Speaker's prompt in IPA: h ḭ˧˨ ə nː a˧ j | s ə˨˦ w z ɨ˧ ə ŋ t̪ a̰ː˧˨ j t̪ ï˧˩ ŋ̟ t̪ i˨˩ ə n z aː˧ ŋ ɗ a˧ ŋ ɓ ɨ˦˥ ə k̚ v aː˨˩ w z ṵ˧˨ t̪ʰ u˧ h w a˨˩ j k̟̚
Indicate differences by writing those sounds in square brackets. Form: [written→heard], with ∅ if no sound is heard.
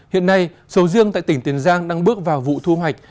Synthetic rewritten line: h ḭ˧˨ ə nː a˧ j | s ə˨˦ w z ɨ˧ ə ŋ t̪ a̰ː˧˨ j t̪ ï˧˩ ŋ̟ t̪ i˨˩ ə n z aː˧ ŋ ɗ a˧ ŋ ɓ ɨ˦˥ ə k̚ v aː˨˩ w [z→v] ṵ˧˨ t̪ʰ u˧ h w a˨˩ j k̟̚